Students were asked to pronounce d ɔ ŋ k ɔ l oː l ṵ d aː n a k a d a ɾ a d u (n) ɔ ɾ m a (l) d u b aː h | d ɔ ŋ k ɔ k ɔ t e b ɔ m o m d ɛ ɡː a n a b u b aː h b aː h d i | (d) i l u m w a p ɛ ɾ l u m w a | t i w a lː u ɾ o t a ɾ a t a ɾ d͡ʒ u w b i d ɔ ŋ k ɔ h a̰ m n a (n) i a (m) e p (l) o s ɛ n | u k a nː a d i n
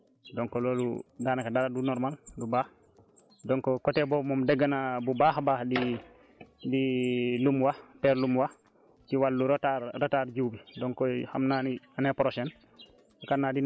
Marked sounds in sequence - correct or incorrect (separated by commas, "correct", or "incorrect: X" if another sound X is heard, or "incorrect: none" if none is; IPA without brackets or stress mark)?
correct, correct, correct, correct, incorrect: n, incorrect: ɾ